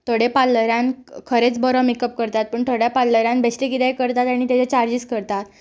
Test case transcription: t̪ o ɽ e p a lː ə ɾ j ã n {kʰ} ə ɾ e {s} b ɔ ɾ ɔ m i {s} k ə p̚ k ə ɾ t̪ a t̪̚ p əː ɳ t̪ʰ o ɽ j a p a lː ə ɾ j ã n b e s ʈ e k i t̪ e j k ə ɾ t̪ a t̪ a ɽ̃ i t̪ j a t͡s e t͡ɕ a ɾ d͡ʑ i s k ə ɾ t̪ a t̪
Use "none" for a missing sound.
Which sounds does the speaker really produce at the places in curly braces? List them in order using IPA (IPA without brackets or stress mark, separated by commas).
kʰ, t͡s, none